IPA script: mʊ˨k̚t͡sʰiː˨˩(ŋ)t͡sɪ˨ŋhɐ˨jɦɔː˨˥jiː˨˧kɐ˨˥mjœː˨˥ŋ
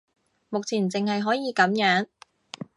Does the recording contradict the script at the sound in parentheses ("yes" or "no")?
yes